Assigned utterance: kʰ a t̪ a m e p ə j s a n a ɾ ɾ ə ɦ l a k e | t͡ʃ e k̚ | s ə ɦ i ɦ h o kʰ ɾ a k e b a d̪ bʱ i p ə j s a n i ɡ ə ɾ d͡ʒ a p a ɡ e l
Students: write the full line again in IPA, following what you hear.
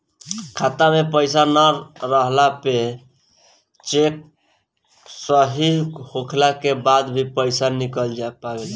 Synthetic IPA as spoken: kʰ a t̪ a m e p ə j s a n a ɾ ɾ ə ɦ l a p e | t͡ʃ e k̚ | s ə ɦ i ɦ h o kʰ l a k e b a d̪ bʱ i p ə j s a n i k ə l d͡ʒ a p a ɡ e l